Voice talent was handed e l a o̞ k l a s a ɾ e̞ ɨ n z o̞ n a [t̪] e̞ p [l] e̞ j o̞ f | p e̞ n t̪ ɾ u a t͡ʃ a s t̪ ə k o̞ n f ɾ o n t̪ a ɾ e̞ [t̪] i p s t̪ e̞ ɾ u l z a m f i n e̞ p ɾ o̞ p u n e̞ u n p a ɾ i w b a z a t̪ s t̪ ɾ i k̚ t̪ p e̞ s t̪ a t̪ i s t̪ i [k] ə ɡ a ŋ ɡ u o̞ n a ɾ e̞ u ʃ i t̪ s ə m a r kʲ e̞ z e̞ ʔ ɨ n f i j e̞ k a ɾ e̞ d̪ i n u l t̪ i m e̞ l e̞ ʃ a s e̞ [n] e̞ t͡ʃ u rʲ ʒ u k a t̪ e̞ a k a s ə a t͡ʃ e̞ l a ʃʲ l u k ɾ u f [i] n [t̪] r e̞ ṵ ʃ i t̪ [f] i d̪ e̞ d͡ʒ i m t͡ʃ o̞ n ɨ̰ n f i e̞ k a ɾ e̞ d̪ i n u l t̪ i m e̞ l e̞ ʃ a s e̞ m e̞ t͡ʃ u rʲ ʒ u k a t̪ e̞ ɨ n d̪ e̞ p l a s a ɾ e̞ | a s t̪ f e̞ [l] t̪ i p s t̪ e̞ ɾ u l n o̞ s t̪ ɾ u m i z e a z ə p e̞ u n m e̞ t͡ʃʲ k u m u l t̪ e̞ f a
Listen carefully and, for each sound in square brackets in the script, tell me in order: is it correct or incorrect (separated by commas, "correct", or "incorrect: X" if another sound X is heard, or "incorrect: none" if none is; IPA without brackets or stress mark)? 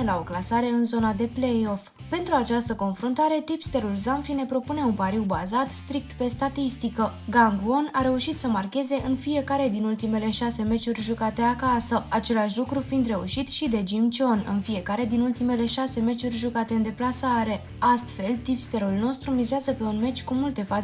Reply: incorrect: d̪, correct, correct, correct, incorrect: m, correct, incorrect: d̪, incorrect: ʃ, correct